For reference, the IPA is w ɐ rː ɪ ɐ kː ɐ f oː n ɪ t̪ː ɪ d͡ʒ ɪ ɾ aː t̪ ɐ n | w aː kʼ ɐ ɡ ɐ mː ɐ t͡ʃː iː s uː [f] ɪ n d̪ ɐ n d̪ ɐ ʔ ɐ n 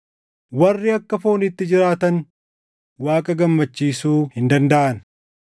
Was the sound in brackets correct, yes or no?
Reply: no